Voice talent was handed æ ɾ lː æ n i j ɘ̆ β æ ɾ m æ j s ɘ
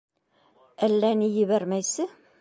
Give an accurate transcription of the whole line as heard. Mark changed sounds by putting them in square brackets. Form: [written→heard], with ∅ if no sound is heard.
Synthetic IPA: æ [ɾ→∅] lː æ n i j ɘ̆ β æ ɾ m æ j s ɘ

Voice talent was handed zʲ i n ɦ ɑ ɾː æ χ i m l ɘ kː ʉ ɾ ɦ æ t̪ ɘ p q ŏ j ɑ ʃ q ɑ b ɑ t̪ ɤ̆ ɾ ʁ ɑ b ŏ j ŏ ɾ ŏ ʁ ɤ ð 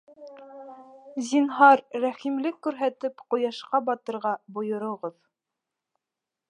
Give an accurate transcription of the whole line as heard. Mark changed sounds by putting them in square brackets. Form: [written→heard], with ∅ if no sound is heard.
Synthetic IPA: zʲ i n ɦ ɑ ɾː æ χ i m l ɘ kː ʉ ɾ ɦ æ t̪ ɘ p q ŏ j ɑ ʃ q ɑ b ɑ t̪ ɤ̆ ɾ ʁ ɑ b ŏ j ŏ ɾ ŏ ʁ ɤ ð

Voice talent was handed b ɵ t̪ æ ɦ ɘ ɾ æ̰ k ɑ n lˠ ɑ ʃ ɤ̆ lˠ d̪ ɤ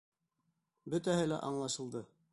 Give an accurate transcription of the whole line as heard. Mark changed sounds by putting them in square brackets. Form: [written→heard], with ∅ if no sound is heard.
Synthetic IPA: b ɵ t̪ æ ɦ ɘ [ɾ→l] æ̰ [k→ʔ] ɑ [n→ɴ] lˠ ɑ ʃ ɤ̆ lˠ d̪ ɤ

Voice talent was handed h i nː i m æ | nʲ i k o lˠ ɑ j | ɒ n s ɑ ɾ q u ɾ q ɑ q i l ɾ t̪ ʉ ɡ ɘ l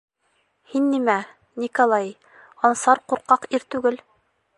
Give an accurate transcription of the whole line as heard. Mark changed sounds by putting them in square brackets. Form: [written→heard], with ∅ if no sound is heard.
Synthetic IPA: h i nː i m æ | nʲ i k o lˠ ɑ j | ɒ n s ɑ ɾ q u ɾ q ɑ q i [l→∅] ɾ t̪ ʉ ɡ ɘ l

